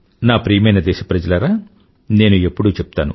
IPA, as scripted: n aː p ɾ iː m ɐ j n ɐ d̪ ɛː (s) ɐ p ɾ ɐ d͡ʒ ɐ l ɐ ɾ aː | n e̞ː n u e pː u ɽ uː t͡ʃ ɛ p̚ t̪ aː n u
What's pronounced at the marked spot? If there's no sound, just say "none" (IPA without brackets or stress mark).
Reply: ʃ